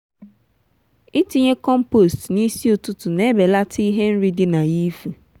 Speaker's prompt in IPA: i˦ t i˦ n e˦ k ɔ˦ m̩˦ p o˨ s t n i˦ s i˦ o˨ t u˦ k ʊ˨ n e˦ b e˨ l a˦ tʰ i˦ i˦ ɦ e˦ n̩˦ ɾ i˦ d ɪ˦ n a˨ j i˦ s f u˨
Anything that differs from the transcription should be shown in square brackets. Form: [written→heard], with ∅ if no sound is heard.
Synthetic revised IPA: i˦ t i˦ [n→ɲ] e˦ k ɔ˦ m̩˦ p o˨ s t n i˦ s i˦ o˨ t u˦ [k→t] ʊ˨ n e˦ b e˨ l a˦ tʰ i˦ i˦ ɦ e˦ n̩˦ ɾ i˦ d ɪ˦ n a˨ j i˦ [s→∅] f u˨